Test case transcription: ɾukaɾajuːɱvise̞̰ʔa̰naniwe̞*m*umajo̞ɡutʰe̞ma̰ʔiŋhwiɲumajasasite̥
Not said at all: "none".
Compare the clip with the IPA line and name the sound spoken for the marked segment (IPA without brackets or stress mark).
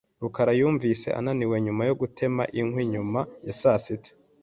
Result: ɲ